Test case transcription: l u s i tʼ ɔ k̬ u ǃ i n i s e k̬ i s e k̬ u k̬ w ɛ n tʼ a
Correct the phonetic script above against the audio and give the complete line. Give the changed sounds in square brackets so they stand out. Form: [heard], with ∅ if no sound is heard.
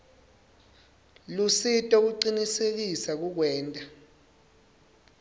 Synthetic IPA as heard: l u s i tʼ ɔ k̬ u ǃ i n i s e k̬ i s [a] k̬ u k̬ w [ɛː] n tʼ a